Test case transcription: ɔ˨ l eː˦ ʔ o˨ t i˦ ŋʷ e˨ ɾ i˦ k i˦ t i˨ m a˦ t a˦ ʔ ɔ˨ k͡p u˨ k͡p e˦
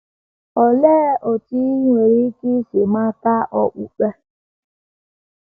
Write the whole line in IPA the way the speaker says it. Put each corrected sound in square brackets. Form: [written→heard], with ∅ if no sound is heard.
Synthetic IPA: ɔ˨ l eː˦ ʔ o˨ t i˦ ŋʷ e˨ ɾ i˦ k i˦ [t→s] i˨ m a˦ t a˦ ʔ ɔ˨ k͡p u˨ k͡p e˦